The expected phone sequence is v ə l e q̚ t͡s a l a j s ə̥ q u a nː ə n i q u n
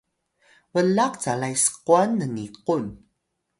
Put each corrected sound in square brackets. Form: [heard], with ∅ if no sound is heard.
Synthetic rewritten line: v ə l [a] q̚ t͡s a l a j s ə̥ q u a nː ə n i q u n